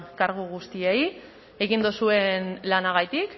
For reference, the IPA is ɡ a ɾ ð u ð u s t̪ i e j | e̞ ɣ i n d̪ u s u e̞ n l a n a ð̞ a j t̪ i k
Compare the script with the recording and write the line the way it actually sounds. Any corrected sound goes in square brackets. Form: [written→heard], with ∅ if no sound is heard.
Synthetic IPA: [ɡ→k] a ɾ [ð→ɣ] u [ð→ɣ] u s t̪ i e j | e̞ ɣ i n d̪ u s u e̞ n l a n a [ð̞→ɣ̞] a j t̪ i k